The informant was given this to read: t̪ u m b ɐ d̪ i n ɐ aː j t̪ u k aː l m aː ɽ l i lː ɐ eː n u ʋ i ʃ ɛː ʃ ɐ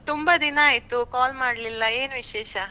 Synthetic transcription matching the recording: t̪ u m b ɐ d̪ i n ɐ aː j t̪ u k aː l m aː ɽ l i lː ɐ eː n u ʋ i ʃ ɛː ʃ ɐ